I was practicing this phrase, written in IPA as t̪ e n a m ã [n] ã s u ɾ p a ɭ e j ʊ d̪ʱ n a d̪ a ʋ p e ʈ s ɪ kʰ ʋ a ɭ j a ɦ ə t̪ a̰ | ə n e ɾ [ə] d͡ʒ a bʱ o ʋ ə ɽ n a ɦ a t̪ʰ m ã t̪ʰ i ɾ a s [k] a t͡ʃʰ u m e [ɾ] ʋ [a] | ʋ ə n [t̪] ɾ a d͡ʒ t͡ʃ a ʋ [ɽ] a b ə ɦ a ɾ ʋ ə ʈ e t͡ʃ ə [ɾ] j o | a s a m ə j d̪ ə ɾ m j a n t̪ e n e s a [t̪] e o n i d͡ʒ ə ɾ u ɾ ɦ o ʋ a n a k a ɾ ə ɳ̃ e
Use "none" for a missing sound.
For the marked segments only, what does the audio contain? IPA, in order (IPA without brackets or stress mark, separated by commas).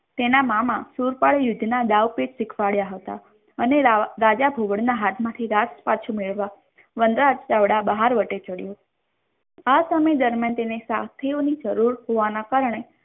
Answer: m, a, p, ɭ, a, d̪, ɽ, ɽ, t̪ʰ